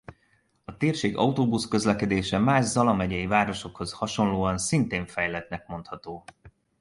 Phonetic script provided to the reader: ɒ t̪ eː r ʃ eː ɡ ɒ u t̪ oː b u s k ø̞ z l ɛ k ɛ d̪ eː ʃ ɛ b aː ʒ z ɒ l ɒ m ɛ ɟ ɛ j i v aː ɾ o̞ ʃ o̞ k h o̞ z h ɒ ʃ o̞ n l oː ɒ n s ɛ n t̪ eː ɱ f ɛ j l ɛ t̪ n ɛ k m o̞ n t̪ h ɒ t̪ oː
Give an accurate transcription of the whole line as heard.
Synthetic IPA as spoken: ɒ t̪ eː r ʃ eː ɡ ɒ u t̪ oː b u s k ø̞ z l ɛ k ɛ d̪ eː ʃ ɛ m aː ʒ z ɒ l ɒ m ɛ ɟ ɛ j i v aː ɾ o̞ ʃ o̞ k h o̞ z h ɒ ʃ o̞ n l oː ɒ n s i n t̪ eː ɱ f ɛ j l ɛ t̪ n ɛ k m o̞ n t̪ h ɒ t̪ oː